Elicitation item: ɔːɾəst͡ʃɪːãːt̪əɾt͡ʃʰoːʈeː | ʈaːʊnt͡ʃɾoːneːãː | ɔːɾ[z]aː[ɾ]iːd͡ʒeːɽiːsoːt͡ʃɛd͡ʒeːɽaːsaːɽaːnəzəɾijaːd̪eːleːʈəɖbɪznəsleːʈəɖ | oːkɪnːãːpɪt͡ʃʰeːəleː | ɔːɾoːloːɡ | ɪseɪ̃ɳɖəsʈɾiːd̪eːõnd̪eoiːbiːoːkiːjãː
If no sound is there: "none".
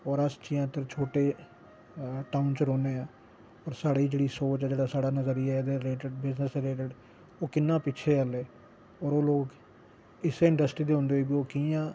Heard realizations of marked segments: s, ɽ

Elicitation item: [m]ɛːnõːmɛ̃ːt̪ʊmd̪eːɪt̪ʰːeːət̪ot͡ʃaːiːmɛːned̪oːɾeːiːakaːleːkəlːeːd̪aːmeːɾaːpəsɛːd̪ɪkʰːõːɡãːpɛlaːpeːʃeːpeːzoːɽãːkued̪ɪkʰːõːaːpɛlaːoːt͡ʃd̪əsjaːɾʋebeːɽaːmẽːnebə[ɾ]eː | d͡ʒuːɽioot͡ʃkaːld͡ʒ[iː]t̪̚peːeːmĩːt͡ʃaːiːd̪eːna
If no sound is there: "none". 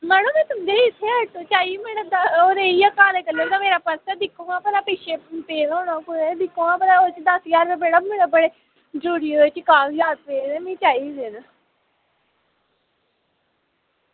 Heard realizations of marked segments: m, ɽ, aː

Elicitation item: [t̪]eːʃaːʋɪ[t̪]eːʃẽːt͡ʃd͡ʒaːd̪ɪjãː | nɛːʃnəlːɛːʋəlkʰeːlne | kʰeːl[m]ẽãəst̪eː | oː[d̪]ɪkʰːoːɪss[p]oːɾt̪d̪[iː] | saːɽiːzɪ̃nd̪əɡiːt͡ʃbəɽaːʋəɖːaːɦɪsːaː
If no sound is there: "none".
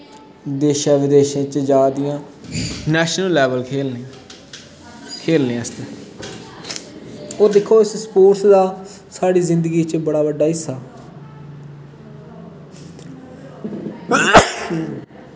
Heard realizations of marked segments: d̪, d̪, n, d̪, p, aː

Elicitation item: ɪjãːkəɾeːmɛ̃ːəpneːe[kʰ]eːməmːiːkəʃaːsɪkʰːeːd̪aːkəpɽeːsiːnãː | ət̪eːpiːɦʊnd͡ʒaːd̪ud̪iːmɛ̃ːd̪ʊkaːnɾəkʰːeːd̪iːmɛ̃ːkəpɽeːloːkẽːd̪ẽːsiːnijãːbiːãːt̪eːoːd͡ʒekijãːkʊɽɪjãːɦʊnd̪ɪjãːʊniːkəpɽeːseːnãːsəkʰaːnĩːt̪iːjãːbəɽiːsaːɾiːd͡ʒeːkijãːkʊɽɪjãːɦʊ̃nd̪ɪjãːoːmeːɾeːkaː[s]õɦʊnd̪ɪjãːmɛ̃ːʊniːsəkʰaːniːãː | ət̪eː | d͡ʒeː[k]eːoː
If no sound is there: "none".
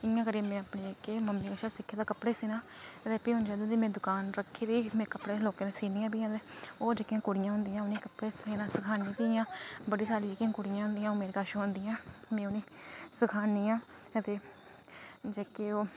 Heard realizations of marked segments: k, ʃ, k

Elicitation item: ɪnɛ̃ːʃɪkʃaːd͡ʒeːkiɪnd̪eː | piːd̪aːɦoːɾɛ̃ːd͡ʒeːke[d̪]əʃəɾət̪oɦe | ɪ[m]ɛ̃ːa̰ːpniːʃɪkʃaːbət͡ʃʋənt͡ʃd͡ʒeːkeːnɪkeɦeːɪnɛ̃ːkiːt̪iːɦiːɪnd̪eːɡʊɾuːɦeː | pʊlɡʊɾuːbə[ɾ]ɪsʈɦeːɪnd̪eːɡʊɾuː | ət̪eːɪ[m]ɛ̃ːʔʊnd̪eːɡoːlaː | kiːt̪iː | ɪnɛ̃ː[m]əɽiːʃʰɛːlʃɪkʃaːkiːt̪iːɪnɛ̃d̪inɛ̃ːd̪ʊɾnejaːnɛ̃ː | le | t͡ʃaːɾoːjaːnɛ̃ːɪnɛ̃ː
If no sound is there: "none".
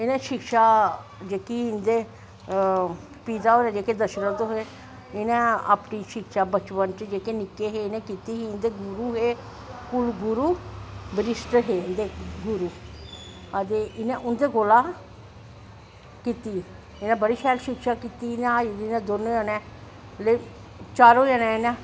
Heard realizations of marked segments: d̪, n, ɾ, n, b

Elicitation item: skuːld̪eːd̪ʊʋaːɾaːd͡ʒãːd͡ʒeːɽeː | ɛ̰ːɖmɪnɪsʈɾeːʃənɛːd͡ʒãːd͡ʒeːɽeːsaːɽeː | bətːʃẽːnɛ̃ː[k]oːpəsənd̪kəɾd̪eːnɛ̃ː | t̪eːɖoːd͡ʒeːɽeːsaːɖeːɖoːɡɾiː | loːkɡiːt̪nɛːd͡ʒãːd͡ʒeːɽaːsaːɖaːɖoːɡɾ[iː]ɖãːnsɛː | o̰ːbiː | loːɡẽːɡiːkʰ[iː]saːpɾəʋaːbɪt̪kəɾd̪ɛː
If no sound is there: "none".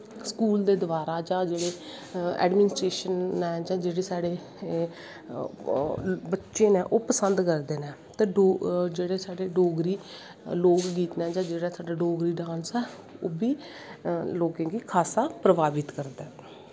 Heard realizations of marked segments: ʔ, iː, aː

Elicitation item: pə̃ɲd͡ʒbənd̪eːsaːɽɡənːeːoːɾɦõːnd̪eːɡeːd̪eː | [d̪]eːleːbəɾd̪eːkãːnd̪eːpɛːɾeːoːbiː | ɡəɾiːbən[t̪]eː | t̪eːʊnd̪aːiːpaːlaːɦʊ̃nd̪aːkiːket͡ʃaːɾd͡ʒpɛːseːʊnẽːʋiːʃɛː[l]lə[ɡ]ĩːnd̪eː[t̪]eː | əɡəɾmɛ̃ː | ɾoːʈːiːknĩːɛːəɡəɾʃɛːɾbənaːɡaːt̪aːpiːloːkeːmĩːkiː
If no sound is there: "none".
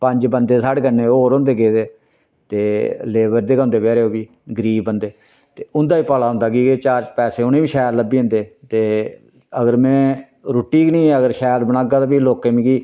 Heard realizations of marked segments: t̪, d̪, ɾ, b, t̪

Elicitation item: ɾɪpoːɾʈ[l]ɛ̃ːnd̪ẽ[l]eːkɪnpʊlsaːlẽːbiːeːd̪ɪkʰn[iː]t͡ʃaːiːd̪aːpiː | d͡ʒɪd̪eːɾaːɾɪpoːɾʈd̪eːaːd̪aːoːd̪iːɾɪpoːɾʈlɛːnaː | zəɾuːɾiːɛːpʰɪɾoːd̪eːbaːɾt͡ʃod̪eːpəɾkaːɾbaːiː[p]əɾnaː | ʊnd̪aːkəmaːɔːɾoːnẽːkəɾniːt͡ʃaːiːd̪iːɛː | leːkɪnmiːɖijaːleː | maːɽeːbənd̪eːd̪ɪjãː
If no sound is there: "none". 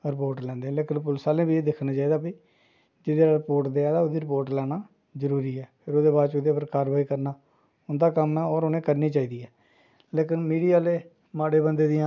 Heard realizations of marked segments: l, l, aː, k

